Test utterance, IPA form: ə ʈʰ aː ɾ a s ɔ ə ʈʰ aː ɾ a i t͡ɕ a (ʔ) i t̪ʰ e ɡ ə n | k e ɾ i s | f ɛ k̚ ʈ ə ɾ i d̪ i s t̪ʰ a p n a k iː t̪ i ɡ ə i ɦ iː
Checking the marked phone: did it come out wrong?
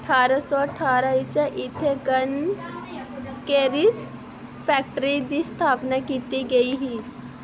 no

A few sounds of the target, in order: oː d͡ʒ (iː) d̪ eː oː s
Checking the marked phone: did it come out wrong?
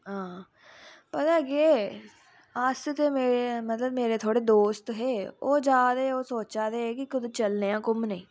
yes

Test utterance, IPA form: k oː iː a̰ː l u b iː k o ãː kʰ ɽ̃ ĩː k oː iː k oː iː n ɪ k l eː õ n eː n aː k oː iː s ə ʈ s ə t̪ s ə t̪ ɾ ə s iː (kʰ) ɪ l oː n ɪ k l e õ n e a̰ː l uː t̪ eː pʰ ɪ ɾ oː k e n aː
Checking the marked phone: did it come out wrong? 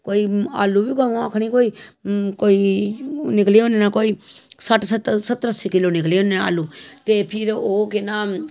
yes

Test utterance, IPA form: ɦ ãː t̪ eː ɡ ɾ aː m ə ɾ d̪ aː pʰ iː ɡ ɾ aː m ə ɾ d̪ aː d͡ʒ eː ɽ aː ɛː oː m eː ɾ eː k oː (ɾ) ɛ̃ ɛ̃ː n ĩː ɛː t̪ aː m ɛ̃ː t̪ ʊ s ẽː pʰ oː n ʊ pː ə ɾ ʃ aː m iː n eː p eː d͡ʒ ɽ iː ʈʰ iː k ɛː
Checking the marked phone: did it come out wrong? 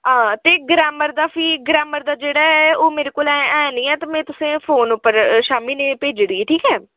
yes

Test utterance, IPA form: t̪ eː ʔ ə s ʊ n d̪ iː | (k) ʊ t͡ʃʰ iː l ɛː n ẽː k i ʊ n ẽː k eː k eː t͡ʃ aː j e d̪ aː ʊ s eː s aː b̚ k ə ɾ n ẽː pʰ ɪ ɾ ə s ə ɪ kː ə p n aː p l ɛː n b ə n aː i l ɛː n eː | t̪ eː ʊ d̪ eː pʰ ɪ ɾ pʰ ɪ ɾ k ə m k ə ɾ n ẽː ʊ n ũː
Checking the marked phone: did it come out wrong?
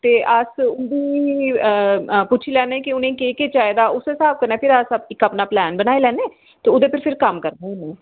yes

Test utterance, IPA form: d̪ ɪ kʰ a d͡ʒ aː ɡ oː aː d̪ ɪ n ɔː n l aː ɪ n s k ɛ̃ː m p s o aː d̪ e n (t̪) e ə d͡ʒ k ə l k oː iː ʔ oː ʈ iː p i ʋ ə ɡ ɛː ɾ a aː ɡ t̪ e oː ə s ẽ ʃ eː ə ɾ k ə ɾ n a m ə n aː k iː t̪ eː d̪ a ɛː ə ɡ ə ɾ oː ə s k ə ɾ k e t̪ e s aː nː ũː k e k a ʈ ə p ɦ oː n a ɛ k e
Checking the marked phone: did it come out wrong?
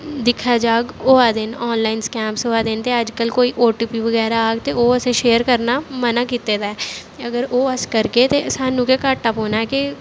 no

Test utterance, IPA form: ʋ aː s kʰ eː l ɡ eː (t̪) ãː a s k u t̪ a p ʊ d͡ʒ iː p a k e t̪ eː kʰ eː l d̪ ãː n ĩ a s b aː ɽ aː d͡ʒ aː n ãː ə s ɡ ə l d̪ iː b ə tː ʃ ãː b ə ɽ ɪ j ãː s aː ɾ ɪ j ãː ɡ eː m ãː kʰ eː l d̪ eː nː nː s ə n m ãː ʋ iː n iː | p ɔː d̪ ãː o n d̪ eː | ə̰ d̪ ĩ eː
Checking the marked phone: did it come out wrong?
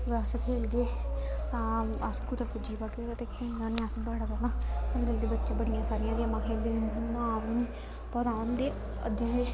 no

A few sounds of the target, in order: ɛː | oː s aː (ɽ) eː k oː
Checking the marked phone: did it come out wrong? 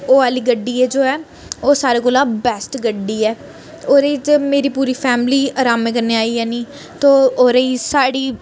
yes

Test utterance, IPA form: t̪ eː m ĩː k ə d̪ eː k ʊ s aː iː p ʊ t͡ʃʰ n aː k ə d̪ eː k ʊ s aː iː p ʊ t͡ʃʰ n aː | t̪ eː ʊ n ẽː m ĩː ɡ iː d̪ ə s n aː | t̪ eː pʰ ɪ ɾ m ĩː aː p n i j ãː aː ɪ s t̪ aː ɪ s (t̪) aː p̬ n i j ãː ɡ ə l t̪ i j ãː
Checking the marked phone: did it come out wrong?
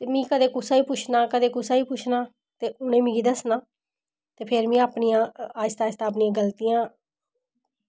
no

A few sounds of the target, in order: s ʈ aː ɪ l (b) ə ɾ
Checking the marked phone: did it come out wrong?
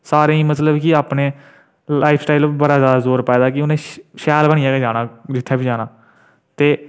no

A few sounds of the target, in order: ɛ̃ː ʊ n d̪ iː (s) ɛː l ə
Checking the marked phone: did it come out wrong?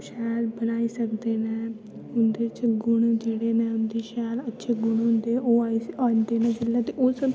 yes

